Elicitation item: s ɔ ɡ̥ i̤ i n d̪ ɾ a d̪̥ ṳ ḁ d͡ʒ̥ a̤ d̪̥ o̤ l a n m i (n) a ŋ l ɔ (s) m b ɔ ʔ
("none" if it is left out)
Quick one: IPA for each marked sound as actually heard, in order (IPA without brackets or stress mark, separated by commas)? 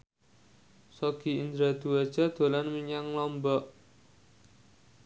ɲ, none